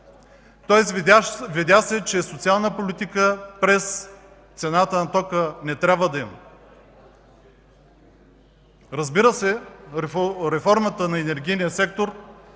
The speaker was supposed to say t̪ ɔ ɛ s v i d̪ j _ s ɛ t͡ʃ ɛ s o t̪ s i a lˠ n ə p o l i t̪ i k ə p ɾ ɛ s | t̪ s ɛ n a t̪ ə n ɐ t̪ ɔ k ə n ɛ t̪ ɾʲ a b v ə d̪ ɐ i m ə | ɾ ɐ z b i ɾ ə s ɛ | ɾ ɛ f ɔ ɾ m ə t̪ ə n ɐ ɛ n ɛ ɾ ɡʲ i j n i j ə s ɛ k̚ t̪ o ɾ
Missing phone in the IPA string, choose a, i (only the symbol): a